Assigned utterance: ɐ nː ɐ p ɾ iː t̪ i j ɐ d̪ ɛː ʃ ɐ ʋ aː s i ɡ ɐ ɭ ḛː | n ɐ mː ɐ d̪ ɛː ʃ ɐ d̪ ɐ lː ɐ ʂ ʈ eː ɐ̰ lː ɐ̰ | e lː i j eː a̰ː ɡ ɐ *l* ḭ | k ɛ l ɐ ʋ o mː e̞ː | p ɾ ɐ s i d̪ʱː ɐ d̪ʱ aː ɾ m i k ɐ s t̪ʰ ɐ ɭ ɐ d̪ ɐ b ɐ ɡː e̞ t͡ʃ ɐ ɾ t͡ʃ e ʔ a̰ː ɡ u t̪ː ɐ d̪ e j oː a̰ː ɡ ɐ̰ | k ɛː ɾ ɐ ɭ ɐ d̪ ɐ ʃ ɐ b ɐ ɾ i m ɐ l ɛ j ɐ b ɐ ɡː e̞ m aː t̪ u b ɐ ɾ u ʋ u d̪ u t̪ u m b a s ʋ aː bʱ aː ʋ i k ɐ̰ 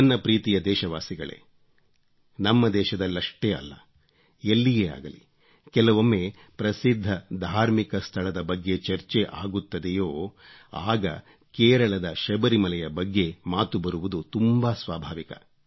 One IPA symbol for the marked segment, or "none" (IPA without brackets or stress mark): l